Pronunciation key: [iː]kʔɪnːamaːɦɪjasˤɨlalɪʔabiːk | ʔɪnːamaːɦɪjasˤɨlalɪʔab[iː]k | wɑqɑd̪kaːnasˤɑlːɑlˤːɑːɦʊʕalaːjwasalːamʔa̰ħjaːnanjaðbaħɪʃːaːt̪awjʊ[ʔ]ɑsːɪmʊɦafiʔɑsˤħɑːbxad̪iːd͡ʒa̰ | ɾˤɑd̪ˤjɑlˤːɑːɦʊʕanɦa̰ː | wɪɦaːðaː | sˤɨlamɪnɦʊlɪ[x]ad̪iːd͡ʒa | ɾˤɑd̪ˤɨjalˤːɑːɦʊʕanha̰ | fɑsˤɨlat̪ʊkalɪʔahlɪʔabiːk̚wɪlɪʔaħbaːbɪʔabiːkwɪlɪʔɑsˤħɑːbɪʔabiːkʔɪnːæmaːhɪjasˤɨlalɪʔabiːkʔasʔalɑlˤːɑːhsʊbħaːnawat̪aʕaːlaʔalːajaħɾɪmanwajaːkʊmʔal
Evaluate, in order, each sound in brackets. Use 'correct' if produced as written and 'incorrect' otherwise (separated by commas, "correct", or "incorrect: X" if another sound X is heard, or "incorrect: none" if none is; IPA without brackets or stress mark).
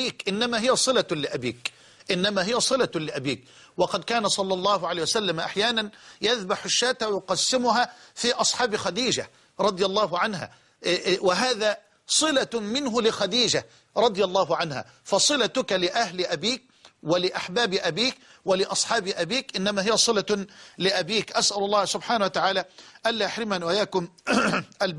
correct, correct, incorrect: q, correct